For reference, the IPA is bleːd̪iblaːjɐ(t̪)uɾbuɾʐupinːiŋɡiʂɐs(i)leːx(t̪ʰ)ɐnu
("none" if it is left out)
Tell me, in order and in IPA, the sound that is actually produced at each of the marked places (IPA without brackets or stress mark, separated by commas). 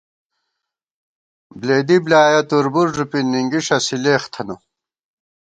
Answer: t̪, i, t̪ʰ